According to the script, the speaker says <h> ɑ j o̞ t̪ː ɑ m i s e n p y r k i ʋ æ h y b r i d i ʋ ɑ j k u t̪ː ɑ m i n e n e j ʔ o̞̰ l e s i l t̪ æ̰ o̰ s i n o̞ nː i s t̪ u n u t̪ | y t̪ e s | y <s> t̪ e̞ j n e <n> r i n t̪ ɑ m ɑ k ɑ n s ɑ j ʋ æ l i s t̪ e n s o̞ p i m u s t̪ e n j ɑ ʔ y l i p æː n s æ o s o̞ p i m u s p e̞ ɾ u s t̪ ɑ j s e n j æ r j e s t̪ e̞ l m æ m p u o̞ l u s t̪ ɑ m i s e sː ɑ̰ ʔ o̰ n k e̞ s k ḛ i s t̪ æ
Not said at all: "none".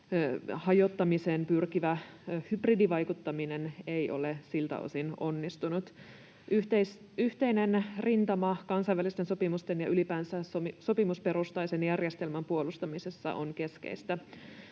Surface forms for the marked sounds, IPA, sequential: h, h, n

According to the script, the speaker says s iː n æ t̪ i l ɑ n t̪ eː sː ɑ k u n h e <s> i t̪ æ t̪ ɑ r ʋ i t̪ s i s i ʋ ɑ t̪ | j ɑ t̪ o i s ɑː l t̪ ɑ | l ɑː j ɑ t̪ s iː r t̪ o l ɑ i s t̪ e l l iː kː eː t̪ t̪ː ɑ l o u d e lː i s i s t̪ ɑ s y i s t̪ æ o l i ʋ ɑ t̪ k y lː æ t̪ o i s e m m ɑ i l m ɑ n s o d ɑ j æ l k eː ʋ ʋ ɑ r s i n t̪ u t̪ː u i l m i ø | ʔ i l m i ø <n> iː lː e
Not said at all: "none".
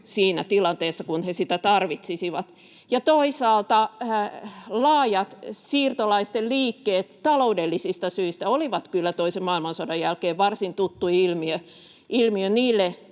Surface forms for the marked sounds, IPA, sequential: s, n

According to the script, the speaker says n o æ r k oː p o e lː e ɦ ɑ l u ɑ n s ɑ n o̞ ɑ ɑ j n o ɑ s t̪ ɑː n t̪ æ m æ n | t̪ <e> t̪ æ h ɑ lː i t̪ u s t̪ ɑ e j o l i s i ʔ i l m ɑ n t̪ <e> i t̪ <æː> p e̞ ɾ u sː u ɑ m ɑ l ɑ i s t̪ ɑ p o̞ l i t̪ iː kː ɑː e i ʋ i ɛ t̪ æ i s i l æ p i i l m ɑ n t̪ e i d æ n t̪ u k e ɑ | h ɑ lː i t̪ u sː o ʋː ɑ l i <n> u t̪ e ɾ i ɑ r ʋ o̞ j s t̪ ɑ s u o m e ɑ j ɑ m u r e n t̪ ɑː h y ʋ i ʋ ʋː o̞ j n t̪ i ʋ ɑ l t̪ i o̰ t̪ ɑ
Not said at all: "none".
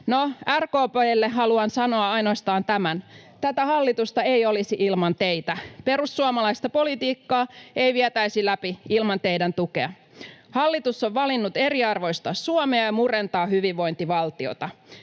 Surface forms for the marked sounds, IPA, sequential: æ, e, æ, nː

